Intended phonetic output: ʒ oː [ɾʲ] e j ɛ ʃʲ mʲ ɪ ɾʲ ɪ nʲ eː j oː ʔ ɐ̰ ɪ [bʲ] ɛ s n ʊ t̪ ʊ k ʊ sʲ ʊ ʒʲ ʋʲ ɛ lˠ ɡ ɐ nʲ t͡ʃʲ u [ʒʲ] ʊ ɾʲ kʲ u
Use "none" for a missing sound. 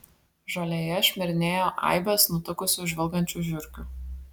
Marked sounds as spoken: lʲ, bʲ, ʒʲ

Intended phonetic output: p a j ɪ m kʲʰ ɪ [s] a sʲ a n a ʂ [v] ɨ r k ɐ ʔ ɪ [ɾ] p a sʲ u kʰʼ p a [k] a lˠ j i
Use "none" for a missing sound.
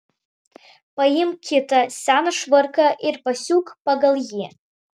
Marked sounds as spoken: t, v, r, ɡ

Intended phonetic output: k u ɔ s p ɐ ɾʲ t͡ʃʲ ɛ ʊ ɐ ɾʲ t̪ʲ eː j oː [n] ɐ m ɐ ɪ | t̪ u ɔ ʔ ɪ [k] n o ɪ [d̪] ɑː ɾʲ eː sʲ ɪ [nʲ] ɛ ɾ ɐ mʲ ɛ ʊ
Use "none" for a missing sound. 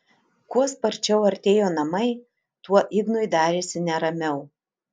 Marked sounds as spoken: n, ɡ, d̪, nʲ

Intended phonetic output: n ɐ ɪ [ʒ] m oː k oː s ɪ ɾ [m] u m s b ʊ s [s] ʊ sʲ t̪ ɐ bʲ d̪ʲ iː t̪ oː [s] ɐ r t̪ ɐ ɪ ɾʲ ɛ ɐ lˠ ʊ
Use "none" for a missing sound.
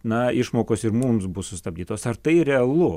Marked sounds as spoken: ʃ, m, s, s

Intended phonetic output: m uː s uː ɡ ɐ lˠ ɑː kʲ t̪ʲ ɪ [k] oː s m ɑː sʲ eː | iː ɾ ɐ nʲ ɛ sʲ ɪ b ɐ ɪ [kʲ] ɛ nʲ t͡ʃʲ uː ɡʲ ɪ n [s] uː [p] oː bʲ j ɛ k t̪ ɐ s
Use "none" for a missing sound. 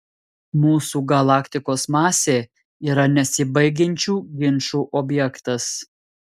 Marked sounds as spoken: k, ɡʲ, ʃ, ʔ

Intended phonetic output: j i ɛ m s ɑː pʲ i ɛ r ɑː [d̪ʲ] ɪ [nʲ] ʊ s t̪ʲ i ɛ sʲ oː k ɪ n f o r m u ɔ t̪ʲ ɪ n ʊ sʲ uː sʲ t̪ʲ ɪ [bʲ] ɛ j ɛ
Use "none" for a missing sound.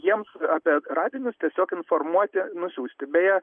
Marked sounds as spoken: d̪ʲ, nʲ, bʲ

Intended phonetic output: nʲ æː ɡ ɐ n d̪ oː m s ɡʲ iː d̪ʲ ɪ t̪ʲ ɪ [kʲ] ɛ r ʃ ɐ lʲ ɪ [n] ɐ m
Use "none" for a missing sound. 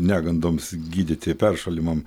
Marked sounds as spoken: pʲ, m

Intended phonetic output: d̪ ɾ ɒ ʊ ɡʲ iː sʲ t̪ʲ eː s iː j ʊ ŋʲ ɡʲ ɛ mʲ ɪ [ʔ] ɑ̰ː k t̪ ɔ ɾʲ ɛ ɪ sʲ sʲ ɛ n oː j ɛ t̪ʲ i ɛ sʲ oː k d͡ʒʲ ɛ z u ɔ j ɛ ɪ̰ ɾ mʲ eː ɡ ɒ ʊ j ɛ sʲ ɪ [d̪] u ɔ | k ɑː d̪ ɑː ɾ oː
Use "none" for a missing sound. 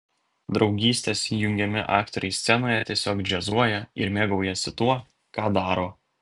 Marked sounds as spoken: ʔ, t̪

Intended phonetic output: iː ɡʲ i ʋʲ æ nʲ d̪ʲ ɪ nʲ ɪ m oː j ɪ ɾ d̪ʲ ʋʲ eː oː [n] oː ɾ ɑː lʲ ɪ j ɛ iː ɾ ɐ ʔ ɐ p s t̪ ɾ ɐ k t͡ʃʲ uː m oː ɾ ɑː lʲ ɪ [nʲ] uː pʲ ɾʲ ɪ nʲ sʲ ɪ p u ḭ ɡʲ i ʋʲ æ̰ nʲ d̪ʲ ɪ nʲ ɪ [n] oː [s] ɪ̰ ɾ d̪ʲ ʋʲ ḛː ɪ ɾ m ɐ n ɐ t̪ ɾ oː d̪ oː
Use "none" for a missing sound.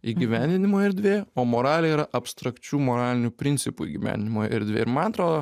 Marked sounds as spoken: m, nʲ, m, none

